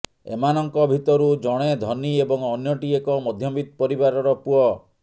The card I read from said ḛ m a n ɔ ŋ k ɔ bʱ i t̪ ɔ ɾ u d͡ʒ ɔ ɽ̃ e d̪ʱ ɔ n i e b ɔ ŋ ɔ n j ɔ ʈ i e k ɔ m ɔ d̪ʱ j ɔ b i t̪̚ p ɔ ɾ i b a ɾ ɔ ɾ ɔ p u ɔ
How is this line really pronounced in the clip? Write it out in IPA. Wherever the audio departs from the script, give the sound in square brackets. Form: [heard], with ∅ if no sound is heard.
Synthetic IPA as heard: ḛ m a n ɔ ŋ k ɔ bʱ i t̪ ɔ ɾ u d͡ʒ ɔ ɽ̃ e d̪ʱ ɔ n i e b ɔ ŋ ɔ n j ɔ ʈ i e k ɔ m ɔ d̪ʱ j ɔ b i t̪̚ p ɔ ɾ i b a ɾ ɔ ɾ ɔ p u ɔ